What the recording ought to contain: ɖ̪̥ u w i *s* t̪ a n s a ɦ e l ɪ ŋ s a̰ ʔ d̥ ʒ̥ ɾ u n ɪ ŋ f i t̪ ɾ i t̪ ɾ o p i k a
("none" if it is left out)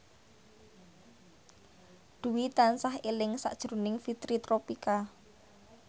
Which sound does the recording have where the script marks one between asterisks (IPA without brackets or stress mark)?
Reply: none